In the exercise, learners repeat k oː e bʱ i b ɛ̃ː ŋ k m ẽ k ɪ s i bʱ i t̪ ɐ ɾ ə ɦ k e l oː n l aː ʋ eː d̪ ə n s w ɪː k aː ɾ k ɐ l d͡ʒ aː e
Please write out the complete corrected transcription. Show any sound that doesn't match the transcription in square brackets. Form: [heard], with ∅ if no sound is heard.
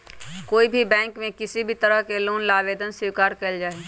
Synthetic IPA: k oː [i] bʱ i b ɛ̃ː ŋ k m ẽ k ɪ s i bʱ i t̪ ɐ ɾ ə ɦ k e l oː n l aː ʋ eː d̪ ə n s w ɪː k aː ɾ k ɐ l d͡ʒ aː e